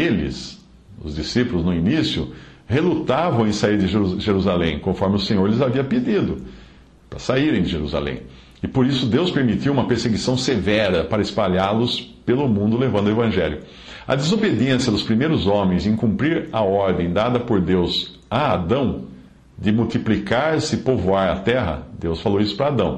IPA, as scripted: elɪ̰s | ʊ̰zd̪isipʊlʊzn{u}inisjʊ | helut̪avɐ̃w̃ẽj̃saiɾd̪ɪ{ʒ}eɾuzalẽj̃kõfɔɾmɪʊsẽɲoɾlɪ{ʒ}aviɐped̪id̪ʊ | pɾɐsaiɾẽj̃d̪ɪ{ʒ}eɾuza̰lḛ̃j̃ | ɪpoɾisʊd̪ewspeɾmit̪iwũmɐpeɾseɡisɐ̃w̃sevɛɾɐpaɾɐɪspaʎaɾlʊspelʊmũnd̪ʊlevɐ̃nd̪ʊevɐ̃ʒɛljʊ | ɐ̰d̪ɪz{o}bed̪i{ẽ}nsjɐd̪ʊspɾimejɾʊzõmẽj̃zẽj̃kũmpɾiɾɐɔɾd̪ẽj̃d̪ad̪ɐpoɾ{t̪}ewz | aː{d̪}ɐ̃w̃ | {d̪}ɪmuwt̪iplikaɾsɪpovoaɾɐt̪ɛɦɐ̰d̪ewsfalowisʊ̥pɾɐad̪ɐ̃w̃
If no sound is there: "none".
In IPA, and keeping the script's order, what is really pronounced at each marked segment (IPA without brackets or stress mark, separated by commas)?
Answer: ʊ, ʒ, z, ʒ, o, ẽ, d̪, d̪, d̪